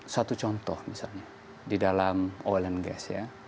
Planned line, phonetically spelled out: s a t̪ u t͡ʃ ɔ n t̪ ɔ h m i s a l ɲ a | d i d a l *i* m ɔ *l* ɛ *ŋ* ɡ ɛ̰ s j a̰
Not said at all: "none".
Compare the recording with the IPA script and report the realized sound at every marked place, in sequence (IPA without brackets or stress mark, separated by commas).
a, l, n